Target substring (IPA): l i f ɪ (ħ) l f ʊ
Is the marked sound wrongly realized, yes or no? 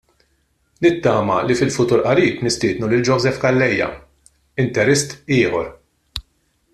yes